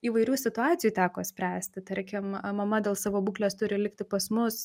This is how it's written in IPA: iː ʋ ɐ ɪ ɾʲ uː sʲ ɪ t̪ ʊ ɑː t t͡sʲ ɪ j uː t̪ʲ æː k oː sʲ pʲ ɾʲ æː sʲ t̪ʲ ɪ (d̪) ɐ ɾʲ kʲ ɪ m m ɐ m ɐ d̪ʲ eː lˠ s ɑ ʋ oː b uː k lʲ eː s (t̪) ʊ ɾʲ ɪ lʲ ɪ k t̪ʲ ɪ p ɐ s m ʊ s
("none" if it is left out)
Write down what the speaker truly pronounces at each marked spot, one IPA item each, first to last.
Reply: t̪, t̪

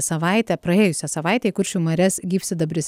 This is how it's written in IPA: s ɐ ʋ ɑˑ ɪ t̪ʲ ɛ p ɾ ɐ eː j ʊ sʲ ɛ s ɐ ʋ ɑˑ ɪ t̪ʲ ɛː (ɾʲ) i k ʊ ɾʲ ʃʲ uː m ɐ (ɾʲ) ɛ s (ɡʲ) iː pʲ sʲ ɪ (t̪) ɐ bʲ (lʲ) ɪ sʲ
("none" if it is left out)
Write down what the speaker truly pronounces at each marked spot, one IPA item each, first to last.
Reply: none, ɾʲ, ɡʲ, d̪, ɾʲ

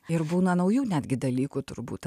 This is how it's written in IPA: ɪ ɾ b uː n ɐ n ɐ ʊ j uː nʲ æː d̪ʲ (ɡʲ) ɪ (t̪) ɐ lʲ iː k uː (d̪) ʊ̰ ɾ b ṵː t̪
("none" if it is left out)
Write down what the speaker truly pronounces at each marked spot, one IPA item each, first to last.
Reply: ɡʲ, d̪, t̪

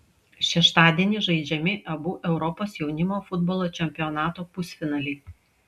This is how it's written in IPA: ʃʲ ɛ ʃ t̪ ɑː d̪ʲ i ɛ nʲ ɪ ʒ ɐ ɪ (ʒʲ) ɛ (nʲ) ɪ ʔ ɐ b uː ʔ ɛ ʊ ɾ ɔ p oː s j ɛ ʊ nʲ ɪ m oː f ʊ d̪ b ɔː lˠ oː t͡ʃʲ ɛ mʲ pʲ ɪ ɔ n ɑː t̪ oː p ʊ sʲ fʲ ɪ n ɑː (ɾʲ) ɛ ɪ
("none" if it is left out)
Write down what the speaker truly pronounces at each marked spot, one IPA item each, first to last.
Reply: d͡ʒʲ, mʲ, lʲ

